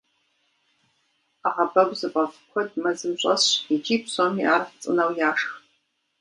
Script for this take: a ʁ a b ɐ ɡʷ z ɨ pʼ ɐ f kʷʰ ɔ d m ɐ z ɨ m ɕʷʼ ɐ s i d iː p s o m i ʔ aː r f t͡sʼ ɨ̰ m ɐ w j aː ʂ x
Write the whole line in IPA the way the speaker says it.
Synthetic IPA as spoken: a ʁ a b ɐ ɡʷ z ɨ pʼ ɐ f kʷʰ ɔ d m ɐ z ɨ m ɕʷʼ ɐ s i d͡ʒ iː p s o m i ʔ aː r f t͡sʼ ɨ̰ n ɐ w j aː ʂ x